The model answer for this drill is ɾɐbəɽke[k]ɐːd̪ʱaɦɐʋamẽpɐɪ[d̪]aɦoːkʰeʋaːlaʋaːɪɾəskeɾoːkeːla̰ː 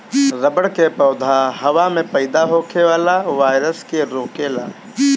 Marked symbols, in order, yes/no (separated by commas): no, yes